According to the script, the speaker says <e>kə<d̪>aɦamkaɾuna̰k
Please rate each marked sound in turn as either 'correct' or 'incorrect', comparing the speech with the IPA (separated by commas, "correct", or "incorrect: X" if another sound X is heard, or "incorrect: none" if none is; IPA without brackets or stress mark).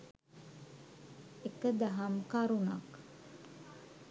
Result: correct, correct